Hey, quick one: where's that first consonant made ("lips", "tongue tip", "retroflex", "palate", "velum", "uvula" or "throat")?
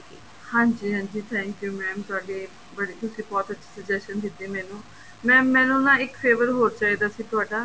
throat